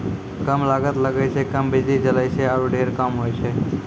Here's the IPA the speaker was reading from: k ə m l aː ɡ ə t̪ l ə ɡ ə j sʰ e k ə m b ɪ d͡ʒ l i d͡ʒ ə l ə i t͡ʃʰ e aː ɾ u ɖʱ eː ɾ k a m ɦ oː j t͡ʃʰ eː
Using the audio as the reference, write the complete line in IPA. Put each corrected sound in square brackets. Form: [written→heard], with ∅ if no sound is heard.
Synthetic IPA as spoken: k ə m l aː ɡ ə t̪ l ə ɡ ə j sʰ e k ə m b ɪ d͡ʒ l i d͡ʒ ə l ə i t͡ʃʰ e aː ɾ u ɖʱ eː ɾ k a m ɦ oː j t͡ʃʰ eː